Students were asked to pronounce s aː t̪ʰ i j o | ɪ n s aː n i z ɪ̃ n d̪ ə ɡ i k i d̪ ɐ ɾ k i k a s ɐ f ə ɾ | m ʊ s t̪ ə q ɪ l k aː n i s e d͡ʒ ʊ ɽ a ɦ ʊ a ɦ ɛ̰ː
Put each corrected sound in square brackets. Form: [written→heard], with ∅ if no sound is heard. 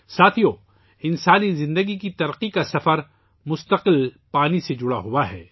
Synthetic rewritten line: s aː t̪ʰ i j o | ɪ n s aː n i z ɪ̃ n d̪ ə ɡ i k i [d̪→t̪] ɐ ɾ [k→q] i k a s ɐ f ə ɾ | m ʊ s t̪ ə q ɪ l [k→p] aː n i s e d͡ʒ ʊ ɽ a ɦ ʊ a ɦ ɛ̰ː